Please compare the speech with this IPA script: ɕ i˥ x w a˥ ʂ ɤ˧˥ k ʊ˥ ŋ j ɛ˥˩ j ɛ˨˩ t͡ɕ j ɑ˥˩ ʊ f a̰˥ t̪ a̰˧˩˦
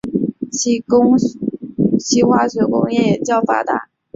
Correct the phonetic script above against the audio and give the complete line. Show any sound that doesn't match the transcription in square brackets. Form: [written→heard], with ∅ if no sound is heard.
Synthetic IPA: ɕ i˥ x w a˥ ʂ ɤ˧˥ k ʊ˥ ŋ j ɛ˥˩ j ɛ˨˩ t͡ɕ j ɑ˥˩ ʊ f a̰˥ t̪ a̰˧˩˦